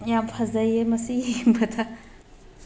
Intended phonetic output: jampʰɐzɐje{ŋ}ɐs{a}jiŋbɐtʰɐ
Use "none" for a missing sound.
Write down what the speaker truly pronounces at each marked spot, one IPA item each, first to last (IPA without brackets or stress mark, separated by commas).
m, i